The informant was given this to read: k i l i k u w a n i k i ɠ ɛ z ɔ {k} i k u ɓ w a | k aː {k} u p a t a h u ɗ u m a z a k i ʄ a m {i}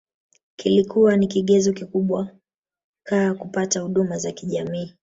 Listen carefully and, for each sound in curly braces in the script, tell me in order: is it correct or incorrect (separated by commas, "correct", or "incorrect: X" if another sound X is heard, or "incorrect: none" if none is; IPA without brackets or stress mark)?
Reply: correct, correct, incorrect: iː